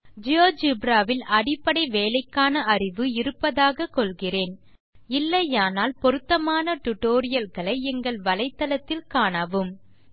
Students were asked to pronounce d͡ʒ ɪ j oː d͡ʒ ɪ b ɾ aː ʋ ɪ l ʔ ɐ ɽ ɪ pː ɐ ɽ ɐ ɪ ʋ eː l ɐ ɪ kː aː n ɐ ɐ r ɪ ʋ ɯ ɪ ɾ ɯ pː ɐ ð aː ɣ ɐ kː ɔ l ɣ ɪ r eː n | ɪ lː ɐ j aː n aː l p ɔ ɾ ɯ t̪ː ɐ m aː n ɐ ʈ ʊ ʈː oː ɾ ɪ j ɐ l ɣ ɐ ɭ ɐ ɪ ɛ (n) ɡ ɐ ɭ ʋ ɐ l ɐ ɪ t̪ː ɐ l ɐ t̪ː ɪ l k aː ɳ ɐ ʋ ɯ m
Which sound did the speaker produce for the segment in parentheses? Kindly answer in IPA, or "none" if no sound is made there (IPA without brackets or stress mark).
ŋ